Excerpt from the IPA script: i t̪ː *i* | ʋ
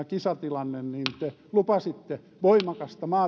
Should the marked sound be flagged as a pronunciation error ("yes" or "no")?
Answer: yes